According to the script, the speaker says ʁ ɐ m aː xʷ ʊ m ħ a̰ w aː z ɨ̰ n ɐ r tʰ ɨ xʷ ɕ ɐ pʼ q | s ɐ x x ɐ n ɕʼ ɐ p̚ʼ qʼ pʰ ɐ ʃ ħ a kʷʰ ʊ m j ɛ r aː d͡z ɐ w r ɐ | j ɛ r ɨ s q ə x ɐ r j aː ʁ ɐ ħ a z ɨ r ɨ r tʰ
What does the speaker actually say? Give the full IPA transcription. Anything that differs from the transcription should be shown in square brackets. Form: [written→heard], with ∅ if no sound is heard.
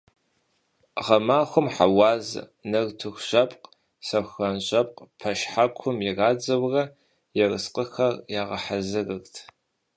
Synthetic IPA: ʁ ɐ m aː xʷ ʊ m ħ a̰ w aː z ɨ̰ n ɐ r tʰ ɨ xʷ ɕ ɐ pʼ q | s ɐ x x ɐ n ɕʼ ɐ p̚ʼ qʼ pʰ ɐ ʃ ħ a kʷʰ ʊ m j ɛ r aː d͡z ɐ w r ɐ | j ɛ r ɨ s q ə x ɐ r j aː ʁ ɐ ħ a z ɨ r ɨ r tʰ